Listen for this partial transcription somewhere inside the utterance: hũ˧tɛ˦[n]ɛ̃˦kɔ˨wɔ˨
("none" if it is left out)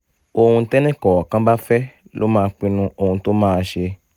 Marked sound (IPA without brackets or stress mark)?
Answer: n